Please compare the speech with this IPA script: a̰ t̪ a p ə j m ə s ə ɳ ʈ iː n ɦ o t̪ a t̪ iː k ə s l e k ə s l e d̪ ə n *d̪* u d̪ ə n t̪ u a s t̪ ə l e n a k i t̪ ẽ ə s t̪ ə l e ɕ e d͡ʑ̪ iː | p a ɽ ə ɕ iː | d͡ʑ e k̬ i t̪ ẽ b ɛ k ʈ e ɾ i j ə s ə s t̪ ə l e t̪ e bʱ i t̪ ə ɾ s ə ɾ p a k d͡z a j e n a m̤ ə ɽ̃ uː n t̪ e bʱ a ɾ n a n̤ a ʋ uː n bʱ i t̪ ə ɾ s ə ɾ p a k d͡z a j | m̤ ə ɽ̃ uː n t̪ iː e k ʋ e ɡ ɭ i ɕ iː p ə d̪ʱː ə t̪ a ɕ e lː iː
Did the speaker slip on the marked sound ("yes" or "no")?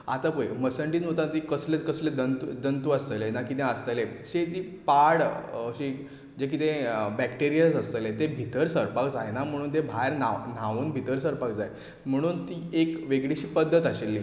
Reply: yes